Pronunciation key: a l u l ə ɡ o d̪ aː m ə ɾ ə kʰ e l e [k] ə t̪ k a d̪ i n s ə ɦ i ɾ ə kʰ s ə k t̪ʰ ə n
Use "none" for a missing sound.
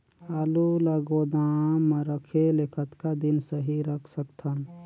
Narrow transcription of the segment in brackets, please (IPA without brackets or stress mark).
kʰ